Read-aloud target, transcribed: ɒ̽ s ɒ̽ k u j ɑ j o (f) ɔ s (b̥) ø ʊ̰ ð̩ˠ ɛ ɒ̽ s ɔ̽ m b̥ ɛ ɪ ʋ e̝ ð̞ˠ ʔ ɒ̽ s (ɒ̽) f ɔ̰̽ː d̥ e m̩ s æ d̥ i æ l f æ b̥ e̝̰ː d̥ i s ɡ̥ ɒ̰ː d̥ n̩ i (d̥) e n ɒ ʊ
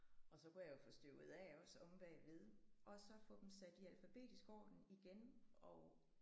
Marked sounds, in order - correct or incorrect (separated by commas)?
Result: correct, incorrect, correct, incorrect